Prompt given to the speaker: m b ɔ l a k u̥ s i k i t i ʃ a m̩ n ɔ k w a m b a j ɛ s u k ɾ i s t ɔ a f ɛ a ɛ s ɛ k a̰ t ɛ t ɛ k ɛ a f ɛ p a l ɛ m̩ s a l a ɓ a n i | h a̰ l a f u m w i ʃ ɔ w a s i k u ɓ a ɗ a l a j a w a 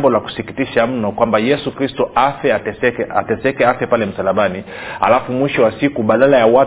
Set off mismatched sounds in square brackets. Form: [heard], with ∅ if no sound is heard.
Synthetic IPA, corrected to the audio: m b ɔ l a k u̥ s i k i t i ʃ a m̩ n ɔ k w a m b a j ɛ s u k ɾ i s t ɔ a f ɛ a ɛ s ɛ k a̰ t ɛ [s] ɛ k ɛ a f ɛ p a l ɛ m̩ s a l a ɓ a n i | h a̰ l a f u m w i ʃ ɔ w a s i k u ɓ a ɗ a l a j a w a